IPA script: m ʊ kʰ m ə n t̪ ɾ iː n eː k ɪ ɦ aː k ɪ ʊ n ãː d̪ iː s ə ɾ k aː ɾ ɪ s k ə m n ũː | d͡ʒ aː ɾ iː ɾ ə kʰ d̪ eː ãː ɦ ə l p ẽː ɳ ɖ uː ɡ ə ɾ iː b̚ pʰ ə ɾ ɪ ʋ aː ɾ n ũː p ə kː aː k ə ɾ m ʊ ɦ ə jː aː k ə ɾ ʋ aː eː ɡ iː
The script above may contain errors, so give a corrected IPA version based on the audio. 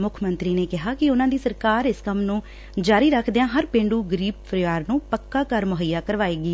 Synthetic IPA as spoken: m ʊ kʰ m ə n t̪ ɾ iː n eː k ɪ ɦ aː k ɪ ʊ n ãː d̪ iː s ə ɾ k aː ɾ ɪ s k ə m n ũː | d͡ʒ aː ɾ iː ɾ ə kʰ d̪ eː ãː ɦ ə ɾ p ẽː ɳ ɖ uː ɡ ə ɾ iː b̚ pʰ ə ɾ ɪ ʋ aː ɾ n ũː p ə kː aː k ə ɾ m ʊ ɦ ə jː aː k ə ɾ ʋ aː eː ɡ iː